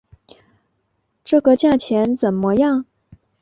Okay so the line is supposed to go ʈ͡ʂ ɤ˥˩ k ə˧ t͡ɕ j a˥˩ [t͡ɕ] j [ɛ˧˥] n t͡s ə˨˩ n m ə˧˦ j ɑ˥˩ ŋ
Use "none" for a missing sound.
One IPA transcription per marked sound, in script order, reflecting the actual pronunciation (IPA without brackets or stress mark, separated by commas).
t͡ɕʰ, ɛ˧˥